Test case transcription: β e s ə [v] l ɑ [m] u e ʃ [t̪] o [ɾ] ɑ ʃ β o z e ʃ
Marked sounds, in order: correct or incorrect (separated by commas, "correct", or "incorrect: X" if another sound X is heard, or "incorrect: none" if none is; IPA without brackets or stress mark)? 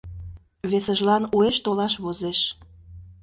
incorrect: ʒ, incorrect: n, correct, incorrect: l